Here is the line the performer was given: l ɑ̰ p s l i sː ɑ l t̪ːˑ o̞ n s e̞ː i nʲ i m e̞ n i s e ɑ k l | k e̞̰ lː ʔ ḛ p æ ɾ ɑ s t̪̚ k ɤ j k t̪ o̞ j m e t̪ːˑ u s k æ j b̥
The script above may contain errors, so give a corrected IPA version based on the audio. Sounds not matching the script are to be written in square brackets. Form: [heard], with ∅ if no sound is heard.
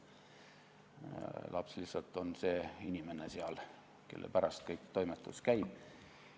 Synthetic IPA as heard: l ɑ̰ p s l i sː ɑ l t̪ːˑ o̞ n s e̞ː i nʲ i m e̞ n [e] s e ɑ [∅] l | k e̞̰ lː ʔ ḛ p æ ɾ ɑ s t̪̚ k ɤ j k t̪ o̞ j m e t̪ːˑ u s k æ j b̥